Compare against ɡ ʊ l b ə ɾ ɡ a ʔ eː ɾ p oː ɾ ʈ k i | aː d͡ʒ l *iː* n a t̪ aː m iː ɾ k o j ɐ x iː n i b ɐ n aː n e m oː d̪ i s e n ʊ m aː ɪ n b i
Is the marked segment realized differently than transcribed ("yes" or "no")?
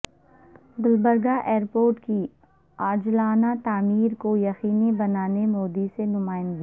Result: yes